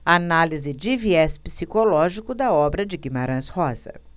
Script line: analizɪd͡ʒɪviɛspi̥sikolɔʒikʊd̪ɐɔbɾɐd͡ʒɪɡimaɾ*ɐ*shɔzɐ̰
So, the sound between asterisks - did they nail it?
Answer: no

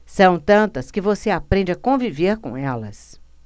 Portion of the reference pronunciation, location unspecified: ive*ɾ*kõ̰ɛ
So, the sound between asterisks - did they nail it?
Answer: yes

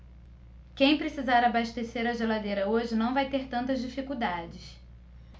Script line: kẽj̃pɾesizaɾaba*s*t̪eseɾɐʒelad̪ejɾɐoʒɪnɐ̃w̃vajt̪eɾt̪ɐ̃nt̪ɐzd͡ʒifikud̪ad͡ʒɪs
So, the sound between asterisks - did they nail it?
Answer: no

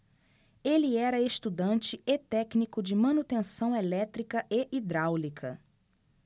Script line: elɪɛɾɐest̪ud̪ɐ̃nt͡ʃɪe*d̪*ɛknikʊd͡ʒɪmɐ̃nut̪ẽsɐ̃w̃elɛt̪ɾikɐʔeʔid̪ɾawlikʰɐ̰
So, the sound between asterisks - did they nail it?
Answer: no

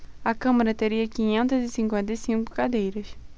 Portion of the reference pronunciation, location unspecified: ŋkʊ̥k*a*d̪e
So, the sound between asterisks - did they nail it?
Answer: yes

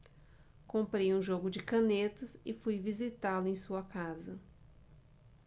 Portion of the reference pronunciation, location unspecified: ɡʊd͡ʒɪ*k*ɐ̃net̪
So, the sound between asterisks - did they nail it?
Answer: yes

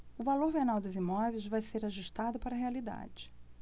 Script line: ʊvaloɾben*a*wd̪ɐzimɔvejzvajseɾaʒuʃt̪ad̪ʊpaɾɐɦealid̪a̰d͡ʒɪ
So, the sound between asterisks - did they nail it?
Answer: yes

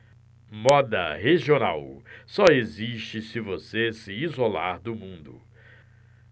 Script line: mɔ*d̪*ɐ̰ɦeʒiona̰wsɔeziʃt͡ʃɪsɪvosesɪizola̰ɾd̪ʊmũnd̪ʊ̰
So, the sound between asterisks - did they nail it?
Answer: yes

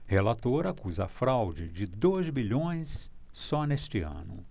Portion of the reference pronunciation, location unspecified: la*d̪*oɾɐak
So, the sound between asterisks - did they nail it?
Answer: no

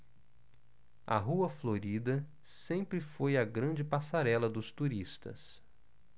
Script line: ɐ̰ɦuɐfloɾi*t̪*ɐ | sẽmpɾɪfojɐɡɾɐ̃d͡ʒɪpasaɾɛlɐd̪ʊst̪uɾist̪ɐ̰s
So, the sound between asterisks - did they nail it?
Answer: no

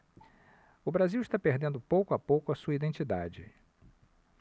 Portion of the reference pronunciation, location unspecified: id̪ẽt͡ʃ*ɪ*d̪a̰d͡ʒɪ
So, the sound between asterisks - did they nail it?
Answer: no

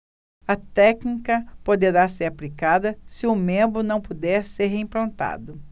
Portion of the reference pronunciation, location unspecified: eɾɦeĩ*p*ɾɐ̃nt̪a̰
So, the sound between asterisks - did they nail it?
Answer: yes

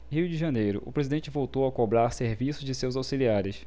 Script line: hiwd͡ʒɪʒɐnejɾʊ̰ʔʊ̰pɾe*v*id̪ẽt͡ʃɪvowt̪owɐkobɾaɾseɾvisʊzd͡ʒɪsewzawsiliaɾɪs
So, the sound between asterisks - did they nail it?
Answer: no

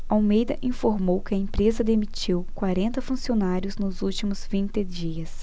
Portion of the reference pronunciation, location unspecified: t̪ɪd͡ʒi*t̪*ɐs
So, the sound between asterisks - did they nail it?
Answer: no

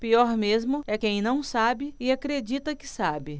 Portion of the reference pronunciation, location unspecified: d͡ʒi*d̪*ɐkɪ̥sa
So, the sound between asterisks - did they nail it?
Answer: no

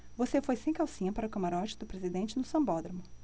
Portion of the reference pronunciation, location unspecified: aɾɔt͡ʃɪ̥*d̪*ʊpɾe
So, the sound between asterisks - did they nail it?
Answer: yes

